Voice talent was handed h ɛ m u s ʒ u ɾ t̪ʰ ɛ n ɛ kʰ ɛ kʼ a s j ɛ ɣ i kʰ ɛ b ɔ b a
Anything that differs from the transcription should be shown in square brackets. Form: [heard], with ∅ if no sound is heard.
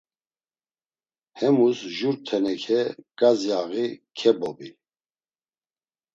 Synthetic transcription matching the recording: h ɛ m u s ʒ u ɾ t̪ʰ ɛ n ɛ kʰ ɛ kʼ a [z] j [a] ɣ i kʰ ɛ b ɔ b [i]